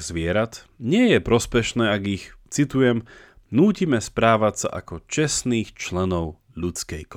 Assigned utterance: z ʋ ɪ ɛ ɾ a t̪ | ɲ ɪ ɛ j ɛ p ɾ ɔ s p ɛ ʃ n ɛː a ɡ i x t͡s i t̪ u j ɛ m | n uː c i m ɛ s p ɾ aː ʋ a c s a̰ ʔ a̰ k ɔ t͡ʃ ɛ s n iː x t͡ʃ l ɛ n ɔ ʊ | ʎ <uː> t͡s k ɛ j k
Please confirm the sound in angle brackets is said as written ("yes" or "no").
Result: no